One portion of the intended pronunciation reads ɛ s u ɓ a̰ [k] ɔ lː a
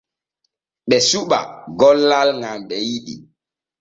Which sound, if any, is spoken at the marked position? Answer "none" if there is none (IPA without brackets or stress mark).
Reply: ɡ